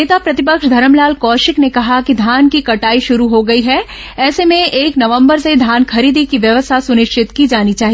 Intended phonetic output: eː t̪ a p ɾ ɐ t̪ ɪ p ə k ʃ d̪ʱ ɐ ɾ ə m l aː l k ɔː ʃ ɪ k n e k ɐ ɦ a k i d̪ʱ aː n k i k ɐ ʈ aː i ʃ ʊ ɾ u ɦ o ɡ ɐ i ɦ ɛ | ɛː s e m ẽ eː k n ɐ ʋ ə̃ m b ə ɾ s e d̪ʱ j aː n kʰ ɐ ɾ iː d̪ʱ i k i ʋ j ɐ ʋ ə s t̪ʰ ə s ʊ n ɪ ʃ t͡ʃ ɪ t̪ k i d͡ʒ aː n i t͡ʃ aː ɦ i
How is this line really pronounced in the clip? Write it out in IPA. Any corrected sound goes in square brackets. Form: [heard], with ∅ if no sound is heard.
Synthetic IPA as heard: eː t̪ a p ɾ ɐ t̪ ɪ p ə k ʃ d̪ʱ ɐ ɾ ə m l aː l k ɔː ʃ ɪ k n e k ɐ ɦ a k i d̪ʱ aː n k i k ɐ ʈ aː i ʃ ʊ ɾ u ɦ o ɡ ɐ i ɦ ɛ | ɛː s e m ẽ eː k n ɐ ʋ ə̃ m b ə ɾ s e d̪ʱ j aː n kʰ ɐ ɾ iː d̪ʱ i k i ʋ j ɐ ʋ ə s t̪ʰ [a] s ʊ n ɪ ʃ t͡ʃ ɪ t̪ k i d͡ʒ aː n i t͡ʃ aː ɦ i

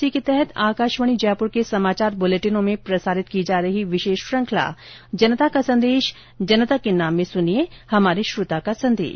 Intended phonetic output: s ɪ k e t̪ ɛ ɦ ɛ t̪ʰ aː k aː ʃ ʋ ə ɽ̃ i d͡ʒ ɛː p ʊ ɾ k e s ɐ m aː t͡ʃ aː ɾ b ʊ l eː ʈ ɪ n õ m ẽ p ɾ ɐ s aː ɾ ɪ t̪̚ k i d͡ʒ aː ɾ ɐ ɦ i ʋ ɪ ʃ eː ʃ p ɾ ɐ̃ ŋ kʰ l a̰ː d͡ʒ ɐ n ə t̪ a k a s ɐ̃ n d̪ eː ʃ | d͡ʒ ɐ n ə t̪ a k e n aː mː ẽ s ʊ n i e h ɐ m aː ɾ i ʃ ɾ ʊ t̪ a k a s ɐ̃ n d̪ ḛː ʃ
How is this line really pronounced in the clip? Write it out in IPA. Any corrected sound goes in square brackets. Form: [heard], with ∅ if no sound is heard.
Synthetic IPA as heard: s [i] k e t̪ ɛ ɦ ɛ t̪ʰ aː k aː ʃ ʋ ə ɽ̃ i d͡ʒ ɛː p ʊ ɾ k e s ɐ m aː t͡ʃ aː ɾ b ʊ l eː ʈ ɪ n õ m ẽ p ɾ ɐ s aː ɾ ɪ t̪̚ k i d͡ʒ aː ɾ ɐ ɦ i ʋ ɪ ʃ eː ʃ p ɾ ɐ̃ ŋ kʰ l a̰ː d͡ʒ ɐ n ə t̪ a k a s ɐ̃ n d̪ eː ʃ | d͡ʒ ɐ n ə t̪ a k e n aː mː ẽ s ʊ n i e h ɐ m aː ɾ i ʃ ɾ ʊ t̪ a k a s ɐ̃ n d̪ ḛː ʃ

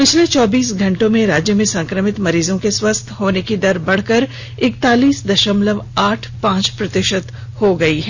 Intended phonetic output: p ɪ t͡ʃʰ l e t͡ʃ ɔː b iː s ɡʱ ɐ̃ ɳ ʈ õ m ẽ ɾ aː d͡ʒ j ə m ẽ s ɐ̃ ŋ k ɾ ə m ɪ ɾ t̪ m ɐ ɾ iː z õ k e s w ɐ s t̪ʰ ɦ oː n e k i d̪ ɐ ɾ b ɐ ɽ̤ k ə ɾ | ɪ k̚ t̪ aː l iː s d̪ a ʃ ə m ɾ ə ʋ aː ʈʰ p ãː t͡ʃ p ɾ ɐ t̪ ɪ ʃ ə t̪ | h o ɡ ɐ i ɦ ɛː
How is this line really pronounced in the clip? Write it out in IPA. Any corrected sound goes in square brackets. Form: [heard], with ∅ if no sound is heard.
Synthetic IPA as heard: p ɪ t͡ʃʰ l e t͡ʃ ɔː b iː s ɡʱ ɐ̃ ɳ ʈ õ m ẽ ɾ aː d͡ʒ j ə m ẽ s ɐ̃ ŋ k ɾ ə m ɪ [∅] t̪ m ɐ ɾ iː z õ k e s w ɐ s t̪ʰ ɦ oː n e k i d̪ ɐ ɾ b ɐ ɽ̤ k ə ɾ | ɪ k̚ t̪ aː l iː s d̪ [ɐ] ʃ ə m [l] ə ʋ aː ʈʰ p ãː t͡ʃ p ɾ ɐ t̪ ɪ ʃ ə t̪ | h o ɡ ɐ i ɦ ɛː

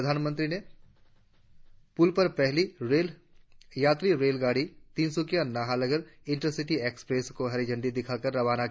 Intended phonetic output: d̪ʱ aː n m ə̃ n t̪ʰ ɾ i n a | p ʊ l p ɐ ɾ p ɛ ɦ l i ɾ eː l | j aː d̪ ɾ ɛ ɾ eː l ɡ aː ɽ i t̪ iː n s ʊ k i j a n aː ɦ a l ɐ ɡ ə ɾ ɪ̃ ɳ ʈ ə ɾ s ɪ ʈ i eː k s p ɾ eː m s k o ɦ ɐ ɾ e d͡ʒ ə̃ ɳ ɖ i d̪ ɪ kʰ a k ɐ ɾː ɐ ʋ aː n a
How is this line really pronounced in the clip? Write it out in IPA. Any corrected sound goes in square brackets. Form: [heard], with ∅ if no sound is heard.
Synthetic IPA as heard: d̪ʱ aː n m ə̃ n [t̪] ɾ i n [e] | p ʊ l p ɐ ɾ p ɛ ɦ l i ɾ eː l | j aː [t̪] ɾ [i] ɾ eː l ɡ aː ɽ i t̪ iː n s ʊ k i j a n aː ɦ a l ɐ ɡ ə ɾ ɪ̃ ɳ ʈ ə ɾ s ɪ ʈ i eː k s p ɾ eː [∅] s k o ɦ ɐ ɾ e d͡ʒ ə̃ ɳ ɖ i d̪ ɪ kʰ a k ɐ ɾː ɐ ʋ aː n a

